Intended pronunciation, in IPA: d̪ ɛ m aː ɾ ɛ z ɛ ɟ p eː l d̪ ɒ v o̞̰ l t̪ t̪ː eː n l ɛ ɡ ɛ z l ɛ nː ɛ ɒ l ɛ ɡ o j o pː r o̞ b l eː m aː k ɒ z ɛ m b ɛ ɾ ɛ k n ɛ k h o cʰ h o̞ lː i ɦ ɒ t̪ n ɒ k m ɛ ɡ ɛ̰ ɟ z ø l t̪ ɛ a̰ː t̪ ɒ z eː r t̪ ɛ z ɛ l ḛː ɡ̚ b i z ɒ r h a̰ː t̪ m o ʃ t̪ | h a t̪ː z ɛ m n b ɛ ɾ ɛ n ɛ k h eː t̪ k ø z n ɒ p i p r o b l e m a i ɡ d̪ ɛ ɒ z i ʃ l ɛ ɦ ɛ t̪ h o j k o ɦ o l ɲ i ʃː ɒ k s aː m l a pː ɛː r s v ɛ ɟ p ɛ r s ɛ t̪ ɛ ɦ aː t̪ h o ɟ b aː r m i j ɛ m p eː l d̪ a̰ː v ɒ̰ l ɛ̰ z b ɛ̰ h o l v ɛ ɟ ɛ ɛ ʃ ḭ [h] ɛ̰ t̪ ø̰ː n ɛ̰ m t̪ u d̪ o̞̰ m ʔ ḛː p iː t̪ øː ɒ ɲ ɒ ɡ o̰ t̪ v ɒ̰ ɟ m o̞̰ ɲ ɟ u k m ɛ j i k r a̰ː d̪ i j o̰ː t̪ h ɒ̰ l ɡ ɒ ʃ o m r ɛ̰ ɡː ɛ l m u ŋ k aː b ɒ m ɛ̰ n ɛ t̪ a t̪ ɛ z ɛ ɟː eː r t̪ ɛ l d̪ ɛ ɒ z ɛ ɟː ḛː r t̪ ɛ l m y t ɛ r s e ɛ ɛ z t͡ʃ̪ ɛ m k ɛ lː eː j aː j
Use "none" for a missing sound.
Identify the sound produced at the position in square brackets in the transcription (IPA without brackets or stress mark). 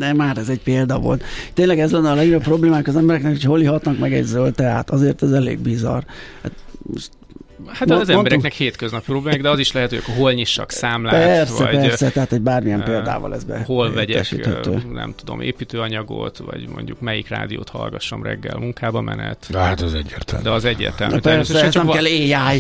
h